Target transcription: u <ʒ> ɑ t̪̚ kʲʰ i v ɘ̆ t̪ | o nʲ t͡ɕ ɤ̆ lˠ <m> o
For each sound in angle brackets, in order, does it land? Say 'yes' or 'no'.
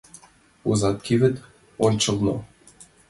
no, no

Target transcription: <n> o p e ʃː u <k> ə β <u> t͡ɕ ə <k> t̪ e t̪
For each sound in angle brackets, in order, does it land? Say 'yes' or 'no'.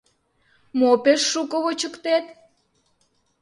no, yes, no, yes

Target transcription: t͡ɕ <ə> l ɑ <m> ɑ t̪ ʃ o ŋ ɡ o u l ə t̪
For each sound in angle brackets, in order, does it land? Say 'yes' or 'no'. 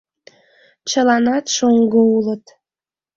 yes, no

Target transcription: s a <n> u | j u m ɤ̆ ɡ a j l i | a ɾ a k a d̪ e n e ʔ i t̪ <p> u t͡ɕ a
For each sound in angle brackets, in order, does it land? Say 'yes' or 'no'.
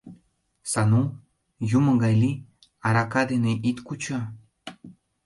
yes, no

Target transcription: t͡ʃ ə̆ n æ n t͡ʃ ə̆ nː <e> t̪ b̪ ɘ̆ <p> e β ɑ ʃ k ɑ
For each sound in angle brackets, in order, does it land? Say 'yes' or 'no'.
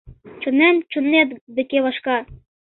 yes, no

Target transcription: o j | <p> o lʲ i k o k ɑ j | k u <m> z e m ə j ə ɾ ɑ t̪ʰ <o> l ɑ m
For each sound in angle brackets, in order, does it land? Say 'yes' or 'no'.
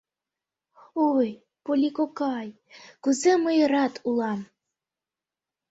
yes, no, no

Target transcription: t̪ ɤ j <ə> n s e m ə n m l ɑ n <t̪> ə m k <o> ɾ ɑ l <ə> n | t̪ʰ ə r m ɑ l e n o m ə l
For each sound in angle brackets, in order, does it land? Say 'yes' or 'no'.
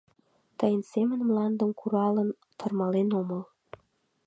yes, no, no, yes

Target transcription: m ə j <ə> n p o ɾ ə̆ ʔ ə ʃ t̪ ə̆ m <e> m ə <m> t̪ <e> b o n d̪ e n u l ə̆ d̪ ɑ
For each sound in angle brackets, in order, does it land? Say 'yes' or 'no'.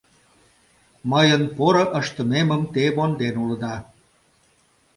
yes, yes, yes, yes

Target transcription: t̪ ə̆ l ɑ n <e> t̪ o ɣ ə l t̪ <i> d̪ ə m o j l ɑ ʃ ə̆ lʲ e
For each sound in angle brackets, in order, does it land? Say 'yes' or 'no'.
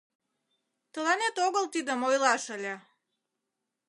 yes, yes

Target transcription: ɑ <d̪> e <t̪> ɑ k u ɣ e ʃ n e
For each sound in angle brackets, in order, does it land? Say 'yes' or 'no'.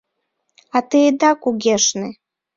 no, no

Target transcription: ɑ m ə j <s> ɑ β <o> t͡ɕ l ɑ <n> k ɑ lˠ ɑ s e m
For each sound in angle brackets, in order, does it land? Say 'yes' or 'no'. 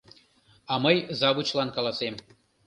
no, no, yes

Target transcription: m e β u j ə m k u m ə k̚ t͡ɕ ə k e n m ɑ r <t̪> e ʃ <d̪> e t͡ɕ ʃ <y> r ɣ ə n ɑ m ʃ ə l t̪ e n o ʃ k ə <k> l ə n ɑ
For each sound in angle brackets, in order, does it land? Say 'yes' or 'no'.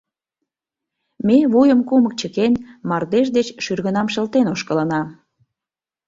no, yes, yes, no

